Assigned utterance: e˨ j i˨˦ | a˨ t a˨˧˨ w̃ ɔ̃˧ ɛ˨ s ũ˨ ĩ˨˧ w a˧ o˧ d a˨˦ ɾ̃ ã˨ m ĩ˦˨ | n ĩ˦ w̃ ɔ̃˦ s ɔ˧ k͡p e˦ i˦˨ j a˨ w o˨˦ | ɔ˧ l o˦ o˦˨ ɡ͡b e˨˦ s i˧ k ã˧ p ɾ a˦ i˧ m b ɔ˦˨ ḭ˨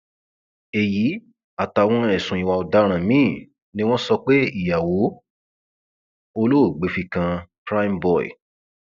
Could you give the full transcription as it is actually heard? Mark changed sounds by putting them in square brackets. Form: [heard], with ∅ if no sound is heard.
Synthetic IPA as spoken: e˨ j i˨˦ | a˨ t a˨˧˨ w̃ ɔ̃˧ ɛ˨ s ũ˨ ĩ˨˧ w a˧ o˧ d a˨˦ ɾ̃ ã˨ m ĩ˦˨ | n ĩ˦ w̃ ɔ̃˦ s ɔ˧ k͡p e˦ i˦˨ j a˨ w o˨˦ | [o˧] l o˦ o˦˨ ɡ͡b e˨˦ [f] i˧ k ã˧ p ɾ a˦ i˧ m b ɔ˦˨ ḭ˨